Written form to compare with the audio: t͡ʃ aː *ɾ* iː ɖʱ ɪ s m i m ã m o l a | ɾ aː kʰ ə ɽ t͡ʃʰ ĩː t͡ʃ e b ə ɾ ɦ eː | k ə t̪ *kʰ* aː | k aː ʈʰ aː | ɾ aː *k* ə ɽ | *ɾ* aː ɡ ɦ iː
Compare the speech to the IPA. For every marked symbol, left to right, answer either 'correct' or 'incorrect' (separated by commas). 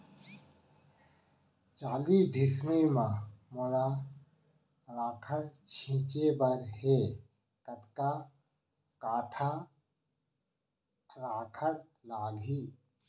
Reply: incorrect, incorrect, incorrect, incorrect